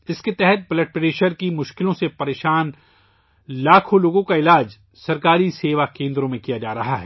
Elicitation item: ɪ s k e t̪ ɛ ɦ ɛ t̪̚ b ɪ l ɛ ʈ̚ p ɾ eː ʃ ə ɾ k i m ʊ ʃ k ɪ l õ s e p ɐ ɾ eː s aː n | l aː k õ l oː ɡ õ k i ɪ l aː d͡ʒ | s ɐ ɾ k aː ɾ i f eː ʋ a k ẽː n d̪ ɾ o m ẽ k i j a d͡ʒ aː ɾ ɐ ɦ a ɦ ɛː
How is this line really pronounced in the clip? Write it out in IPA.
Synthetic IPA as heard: ɪ s k e t̪ ɛ ɦ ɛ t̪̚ b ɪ l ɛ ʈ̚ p ɾ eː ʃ ə ɾ k i m ʊ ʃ k ɪ l õ s e p ɐ ɾ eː ʃ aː n | l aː kʰ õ l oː ɡ õ k a ɪ l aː d͡ʒ | s ɐ ɾ k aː ɾ i s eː ʋ a k ẽː n d̪ ɾ õ m ẽ k i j a d͡ʒ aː ɾ ɐ ɦ a ɦ ɛː